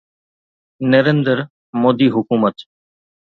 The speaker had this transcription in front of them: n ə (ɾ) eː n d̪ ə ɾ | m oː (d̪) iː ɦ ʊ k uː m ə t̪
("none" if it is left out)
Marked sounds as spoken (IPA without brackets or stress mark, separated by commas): ɾ, d̪